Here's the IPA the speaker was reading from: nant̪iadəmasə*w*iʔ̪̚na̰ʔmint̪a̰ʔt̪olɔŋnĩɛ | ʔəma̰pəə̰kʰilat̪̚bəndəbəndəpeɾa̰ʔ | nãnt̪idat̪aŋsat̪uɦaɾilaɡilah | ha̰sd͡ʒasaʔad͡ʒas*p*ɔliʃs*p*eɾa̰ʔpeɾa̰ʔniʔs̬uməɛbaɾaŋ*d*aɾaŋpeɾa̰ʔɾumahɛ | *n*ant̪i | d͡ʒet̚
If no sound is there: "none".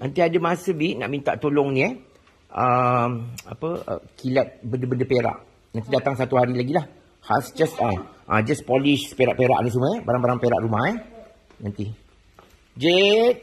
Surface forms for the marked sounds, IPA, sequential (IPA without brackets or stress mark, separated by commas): b, p, p, b, n